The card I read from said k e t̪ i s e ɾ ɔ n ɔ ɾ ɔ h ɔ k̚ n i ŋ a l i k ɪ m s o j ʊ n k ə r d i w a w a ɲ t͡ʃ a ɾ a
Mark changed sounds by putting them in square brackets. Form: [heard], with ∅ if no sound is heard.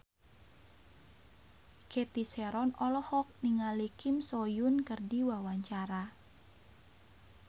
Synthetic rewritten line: k e t̪ i s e ɾ ɔ n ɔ [l] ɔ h ɔ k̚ n i ŋ a l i k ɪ m s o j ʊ n k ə r d i w a w a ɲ t͡ʃ a ɾ a